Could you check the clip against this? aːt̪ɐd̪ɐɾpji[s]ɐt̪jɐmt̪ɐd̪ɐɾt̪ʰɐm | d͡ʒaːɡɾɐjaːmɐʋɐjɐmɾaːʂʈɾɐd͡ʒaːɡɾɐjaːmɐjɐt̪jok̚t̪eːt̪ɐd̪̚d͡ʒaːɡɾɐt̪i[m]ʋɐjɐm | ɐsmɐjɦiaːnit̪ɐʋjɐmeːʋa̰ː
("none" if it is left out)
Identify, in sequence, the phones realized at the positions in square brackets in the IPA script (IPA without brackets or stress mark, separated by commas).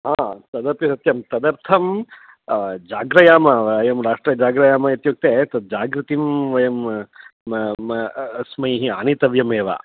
s, m